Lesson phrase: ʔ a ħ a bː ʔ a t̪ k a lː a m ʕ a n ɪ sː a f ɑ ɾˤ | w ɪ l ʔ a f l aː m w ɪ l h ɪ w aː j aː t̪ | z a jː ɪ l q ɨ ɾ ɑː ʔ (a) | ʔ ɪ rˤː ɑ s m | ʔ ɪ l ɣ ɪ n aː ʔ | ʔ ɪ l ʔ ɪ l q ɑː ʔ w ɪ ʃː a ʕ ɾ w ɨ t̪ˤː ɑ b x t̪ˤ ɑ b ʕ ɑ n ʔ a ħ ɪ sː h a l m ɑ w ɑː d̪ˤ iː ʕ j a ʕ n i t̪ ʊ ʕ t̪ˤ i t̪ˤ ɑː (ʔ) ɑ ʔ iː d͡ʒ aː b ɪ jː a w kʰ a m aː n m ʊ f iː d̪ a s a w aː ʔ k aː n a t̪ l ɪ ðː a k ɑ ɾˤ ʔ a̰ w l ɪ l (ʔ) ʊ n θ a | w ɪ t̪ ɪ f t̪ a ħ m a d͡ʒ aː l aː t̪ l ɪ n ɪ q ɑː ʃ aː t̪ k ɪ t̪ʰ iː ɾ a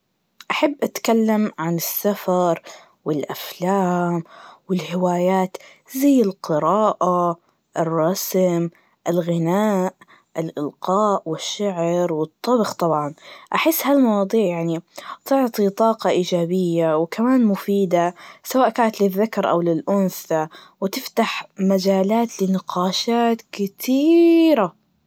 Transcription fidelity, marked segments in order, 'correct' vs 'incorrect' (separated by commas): correct, incorrect, correct